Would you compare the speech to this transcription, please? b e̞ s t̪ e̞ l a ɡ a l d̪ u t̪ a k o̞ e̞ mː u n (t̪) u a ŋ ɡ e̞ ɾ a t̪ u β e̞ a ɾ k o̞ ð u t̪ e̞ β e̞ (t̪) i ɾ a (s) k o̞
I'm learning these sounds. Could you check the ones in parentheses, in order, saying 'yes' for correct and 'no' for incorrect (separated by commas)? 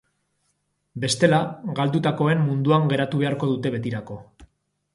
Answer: no, yes, no